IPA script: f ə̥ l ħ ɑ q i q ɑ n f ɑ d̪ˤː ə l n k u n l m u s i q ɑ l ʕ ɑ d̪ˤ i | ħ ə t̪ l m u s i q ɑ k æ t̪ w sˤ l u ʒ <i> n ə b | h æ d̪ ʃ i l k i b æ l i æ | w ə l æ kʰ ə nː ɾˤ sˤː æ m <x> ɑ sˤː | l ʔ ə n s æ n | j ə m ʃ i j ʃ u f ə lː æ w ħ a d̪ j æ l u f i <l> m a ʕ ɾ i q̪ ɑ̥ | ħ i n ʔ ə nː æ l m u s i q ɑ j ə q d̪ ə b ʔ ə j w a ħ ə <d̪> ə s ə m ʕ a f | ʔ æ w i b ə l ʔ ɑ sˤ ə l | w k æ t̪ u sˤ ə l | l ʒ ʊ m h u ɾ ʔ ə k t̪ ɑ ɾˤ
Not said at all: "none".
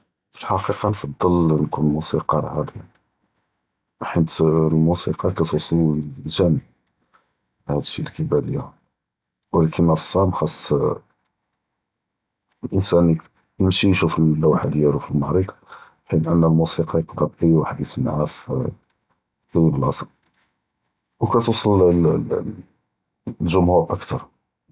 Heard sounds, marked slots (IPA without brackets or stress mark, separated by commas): æ, x, l, d̪